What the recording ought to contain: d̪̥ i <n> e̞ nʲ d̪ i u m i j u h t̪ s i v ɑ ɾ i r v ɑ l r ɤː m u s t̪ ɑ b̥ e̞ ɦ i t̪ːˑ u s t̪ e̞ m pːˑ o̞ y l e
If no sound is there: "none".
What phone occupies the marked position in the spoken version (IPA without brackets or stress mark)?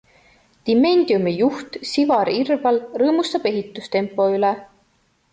m